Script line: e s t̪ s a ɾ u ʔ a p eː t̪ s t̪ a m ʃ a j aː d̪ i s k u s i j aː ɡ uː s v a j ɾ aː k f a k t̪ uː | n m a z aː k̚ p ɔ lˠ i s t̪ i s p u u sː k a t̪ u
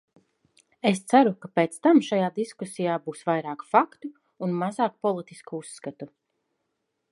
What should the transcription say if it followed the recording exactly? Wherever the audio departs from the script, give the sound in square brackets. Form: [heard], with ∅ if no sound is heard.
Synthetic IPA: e s t̪ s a ɾ u [k] a p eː t̪ s t̪ a m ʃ a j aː d̪ i s k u s i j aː [b] uː s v a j ɾ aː k f a k t̪ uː | n m a z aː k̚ p ɔ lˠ i [∅] t̪ i s [k] u u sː k a t̪ u